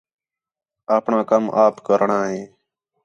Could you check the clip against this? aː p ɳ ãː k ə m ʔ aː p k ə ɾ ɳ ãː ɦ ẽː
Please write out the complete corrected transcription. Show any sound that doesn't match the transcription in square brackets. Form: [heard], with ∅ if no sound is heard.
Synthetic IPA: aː p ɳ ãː k ə m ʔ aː p k ə ɾ ɳ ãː ɦ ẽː